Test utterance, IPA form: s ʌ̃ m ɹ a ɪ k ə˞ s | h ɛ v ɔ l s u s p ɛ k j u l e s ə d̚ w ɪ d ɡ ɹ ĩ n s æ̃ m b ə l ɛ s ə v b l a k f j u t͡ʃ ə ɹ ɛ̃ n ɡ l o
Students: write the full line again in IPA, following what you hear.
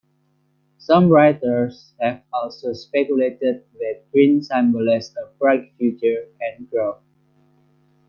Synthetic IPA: s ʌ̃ m ɹ a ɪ t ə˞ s | h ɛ v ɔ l s o s p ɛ k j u l e t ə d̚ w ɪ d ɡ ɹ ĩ n s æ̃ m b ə l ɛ s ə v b ɹ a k f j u t͡ʃ ə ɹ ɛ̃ n ɡ ɹ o

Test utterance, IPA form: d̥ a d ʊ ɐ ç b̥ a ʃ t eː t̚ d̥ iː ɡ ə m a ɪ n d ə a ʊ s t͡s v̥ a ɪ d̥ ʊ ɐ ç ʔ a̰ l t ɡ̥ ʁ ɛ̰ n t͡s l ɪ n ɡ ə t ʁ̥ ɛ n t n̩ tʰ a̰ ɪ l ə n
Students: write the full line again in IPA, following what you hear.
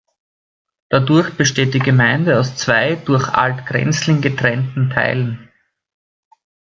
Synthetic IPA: d̥ a d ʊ ɐ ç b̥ ə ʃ t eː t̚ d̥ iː ɡ ə m a ɪ n d ə a ʊ s t͡s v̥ a ɪ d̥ ʊ ɐ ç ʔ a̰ l t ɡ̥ ʁ ɛ̰ n t͡s l ɪ ŋ ɡ ə t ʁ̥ ɛ n t n̩ tʰ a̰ ɪ l ə n

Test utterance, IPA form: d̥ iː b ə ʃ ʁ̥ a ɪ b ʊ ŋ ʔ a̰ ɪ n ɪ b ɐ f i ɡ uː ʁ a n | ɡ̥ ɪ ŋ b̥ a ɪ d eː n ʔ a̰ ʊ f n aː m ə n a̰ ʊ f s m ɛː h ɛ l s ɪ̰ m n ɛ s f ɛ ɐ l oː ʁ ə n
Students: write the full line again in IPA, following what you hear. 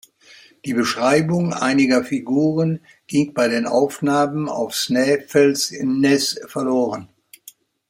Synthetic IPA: d̥ iː b ə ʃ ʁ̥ a ɪ b ʊ ŋ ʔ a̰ ɪ n ɪ ɡ ɐ f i ɡ uː ʁ ə n | ɡ̥ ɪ ŋ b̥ a ɪ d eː n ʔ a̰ ʊ f n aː m ə n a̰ ʊ f s n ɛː f ɛ l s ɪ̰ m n ɛ s f ɛ ɐ l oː ʁ ə n

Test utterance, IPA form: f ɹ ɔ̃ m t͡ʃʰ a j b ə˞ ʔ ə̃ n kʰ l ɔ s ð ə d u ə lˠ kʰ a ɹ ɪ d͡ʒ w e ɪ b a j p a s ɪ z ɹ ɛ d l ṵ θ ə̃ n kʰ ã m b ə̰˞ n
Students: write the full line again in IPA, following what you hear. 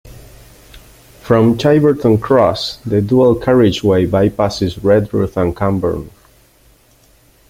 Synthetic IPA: f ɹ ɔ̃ m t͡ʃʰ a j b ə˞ t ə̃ n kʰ ɹ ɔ s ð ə d u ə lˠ kʰ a ɹ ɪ d͡ʒ w e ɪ b a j p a s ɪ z ɹ ɛ d ɹ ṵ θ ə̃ n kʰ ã m b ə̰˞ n

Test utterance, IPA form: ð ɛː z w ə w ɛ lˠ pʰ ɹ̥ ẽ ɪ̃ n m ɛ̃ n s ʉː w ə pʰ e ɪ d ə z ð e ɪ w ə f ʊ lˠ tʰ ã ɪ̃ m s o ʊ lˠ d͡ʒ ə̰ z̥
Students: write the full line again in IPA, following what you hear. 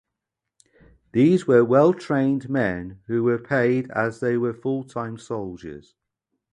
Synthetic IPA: ð iː z w ə w ɛ lˠ tʰ ɹ̥ ẽ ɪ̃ n m ɛ̃ n h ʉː w ə pʰ e ɪ d ə z ð e ɪ w ə f ʊ lˠ tʰ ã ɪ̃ m s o ʊ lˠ d͡ʒ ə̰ z̥

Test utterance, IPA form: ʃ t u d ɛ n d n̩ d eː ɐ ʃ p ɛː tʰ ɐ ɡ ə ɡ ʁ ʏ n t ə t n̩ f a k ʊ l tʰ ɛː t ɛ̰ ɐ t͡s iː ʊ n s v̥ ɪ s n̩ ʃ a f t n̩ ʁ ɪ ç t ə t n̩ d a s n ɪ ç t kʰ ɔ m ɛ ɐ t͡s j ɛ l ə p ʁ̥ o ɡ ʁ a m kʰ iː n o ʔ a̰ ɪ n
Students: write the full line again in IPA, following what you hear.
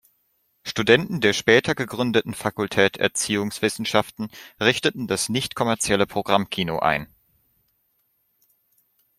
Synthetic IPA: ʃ t u d ɛ n t n̩ d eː ɐ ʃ p ɛː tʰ ɐ ɡ ə ɡ ʁ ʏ n d ə t n̩ f a k ʊ l tʰ ɛː t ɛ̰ ɐ t͡s iː ʊ ŋ s v̥ ɪ s n̩ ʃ a f t n̩ ʁ ɪ ç t ə t n̩ d a s n ɪ ç t kʰ ɔ m ɛ ɐ t͡s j ɛ l ə p ʁ̥ o ɡ ʁ a m kʰ iː n o ʔ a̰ ɪ n

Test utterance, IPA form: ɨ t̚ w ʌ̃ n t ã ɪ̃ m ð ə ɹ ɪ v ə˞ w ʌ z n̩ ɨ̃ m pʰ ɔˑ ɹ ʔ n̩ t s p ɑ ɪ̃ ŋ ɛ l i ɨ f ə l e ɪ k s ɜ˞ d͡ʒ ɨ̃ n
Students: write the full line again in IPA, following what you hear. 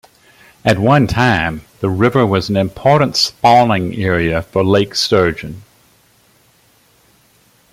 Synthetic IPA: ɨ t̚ w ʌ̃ n tʰ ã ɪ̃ m ð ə ɹ ɪ v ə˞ w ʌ z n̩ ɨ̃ m pʰ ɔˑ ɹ ʔ n̩ t s p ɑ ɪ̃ ŋ ɛ ɹ i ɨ f ə l e ɪ k s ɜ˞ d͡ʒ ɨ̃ n

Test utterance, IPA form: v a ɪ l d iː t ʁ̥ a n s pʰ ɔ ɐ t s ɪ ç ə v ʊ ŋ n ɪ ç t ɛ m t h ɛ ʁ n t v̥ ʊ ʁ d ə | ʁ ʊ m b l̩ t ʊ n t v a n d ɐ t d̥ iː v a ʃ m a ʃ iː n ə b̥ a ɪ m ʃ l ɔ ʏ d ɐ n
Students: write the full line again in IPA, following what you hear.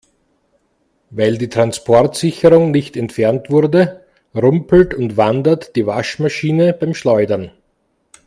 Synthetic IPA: v a ɪ l d iː t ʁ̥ a n s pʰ ɔ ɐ t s ɪ ç ə ʁ ʊ ŋ n ɪ ç t ɛ n t f ɛ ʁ n t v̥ ʊ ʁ d ə | ʁ ʊ m p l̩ t ʊ n t v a n d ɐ t d̥ iː v a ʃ m a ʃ iː n ə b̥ a ɪ m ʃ l ɔ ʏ d ɐ n

